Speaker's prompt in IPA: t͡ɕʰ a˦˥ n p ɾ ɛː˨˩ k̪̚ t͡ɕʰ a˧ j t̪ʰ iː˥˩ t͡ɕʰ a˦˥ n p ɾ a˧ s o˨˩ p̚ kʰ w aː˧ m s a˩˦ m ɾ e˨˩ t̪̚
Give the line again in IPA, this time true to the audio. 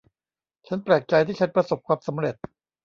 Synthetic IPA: t͡ɕʰ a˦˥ n p ɾ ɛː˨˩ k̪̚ t͡ɕ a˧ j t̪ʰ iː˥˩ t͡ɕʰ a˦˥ n p ɾ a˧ s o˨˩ p̚ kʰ w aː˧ m s a˩˦ m ɾ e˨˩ t̪̚